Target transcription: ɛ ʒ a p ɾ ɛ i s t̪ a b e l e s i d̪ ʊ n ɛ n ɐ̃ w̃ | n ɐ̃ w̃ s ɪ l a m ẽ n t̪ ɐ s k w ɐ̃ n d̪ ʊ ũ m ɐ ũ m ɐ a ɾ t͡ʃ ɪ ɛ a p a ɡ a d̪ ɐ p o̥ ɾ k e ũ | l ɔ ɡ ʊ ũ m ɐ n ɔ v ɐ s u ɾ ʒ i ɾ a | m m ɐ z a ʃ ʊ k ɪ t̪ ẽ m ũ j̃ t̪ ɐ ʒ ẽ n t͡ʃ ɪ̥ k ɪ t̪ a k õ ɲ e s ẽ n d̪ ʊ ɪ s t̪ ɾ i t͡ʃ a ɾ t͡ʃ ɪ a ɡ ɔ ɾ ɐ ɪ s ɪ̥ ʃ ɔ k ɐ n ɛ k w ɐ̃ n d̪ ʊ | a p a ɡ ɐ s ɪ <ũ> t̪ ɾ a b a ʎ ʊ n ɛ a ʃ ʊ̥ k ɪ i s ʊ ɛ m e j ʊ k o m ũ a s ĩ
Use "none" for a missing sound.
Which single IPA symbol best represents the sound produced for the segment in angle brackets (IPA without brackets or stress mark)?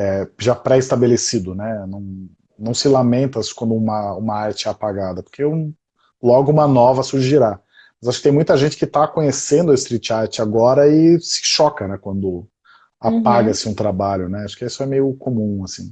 ũ